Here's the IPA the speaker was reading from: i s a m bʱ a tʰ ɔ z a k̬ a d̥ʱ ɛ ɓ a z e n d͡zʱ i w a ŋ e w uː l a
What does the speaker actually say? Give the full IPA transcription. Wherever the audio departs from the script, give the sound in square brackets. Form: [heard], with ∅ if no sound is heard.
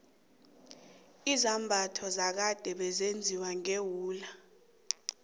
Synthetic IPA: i [z] a m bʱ a tʰ ɔ z a k̬ a d̥ʱ ɛ ɓ [ɛ] z e n d͡zʱ i w a ŋ e w uː l a